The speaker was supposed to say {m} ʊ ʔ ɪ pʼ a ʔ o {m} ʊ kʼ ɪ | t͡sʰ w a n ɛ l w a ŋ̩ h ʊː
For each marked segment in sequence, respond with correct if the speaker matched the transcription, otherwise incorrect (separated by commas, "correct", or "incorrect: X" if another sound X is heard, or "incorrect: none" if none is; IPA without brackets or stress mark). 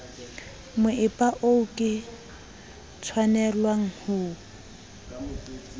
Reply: correct, incorrect: none